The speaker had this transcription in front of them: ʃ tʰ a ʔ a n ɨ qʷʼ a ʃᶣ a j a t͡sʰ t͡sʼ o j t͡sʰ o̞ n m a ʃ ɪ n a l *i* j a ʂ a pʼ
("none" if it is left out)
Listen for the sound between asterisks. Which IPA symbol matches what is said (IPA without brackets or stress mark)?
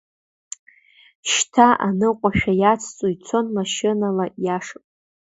a